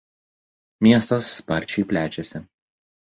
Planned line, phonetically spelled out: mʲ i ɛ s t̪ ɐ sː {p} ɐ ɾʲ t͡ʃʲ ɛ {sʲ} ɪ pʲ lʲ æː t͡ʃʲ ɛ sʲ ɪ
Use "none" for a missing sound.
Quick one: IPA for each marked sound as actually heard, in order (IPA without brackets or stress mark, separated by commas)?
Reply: p, none